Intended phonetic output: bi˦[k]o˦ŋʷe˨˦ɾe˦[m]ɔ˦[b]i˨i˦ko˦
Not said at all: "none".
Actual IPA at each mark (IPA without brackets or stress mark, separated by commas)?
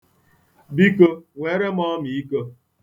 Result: k, m, m